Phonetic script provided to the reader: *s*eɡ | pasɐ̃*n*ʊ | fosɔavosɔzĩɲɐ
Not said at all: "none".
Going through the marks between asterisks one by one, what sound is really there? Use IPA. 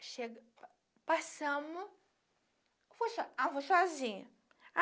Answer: ʃ, m

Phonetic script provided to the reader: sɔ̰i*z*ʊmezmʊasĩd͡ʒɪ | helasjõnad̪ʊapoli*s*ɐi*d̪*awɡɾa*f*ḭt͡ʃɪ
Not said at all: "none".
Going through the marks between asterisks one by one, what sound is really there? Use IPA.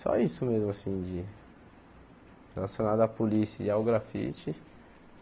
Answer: s, s, none, f

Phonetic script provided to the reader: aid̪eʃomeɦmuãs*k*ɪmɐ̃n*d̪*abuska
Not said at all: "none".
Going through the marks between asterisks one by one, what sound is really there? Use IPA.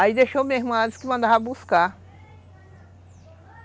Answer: k, d̪

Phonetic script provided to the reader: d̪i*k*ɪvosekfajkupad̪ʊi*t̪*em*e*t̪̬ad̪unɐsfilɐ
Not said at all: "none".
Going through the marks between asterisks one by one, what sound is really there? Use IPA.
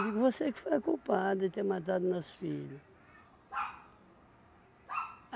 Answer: k, t̪, a

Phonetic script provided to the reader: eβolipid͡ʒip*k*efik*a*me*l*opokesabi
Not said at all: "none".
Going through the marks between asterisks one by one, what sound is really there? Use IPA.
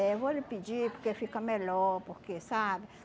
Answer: k, a, l

